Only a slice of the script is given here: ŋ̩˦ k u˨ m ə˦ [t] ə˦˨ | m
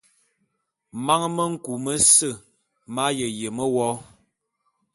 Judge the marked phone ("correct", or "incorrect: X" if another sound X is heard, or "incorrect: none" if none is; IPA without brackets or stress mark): incorrect: s